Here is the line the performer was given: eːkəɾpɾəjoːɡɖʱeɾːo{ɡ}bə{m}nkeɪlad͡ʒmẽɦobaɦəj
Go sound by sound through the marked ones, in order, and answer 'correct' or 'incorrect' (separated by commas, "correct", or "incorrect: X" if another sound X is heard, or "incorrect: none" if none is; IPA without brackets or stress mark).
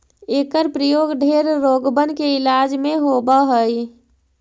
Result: correct, incorrect: none